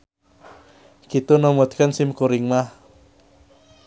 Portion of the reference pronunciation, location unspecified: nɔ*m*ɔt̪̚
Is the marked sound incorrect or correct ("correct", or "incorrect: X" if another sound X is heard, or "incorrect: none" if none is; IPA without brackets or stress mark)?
correct